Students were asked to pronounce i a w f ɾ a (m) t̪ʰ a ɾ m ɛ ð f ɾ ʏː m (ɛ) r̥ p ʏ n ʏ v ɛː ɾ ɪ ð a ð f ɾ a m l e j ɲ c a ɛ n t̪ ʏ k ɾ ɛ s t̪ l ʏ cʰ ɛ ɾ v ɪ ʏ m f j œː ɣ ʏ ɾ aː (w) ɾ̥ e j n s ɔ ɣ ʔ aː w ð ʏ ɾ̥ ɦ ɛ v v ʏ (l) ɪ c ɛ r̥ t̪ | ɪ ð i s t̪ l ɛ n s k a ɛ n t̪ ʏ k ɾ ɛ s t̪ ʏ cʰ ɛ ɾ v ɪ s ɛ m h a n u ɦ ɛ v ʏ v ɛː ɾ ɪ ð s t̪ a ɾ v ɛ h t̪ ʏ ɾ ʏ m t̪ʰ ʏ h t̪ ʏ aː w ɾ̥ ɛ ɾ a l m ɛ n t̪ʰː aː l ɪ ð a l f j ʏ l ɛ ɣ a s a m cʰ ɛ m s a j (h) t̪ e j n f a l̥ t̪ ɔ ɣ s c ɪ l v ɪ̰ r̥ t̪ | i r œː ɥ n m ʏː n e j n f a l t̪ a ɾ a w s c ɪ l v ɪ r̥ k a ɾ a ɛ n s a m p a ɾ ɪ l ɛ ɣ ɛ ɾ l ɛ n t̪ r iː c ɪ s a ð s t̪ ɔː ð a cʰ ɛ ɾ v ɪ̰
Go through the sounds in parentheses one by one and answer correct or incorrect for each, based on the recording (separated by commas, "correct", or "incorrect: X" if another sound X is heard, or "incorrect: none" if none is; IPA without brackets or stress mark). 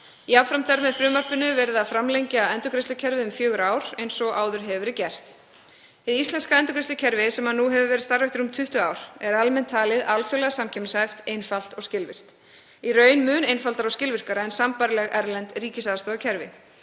correct, incorrect: a, correct, incorrect: ɾ, incorrect: f